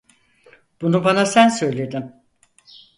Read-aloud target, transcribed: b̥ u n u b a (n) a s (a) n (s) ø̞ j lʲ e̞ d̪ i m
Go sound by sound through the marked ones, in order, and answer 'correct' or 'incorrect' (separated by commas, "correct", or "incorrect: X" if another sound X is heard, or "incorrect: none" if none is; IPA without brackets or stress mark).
correct, incorrect: æ, correct